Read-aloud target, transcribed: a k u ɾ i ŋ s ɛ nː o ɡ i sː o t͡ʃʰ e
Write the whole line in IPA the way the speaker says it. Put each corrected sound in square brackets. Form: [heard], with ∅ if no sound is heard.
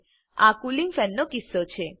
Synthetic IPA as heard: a k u [l] i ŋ [f] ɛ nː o [k] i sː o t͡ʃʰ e